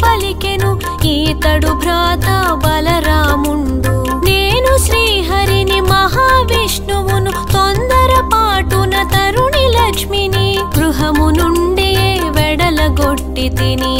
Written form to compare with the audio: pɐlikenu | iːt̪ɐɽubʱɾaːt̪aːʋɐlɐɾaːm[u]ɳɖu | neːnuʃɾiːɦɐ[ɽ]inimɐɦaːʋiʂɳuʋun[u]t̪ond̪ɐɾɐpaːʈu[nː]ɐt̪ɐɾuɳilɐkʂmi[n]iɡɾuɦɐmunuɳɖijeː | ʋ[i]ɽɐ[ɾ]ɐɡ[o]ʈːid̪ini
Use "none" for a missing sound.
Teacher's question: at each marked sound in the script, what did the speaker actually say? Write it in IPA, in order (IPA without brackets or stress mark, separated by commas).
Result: u, ɾ, u, n, n, ɛ, l, o